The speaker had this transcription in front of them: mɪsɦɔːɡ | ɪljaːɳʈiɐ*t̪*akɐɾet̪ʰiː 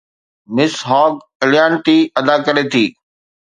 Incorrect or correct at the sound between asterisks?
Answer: incorrect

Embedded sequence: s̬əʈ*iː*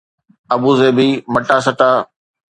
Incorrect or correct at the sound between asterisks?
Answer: incorrect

